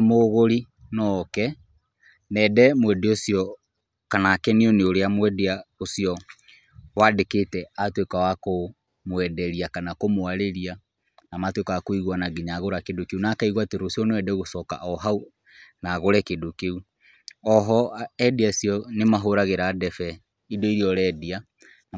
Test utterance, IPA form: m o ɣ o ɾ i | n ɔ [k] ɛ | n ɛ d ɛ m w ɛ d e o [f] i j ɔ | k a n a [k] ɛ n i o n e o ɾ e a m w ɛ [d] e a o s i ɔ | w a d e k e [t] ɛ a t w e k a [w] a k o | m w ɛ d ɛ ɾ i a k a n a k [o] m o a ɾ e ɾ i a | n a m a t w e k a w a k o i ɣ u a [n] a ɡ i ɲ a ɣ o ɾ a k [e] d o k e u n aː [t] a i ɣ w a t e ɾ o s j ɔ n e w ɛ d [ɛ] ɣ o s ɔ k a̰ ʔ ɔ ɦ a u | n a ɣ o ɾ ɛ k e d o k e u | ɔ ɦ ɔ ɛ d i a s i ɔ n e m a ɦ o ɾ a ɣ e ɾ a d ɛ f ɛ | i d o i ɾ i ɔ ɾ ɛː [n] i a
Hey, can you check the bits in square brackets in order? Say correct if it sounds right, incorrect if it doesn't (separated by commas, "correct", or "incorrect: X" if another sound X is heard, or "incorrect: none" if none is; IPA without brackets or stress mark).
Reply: correct, incorrect: s, correct, correct, correct, correct, correct, correct, correct, incorrect: k, correct, incorrect: d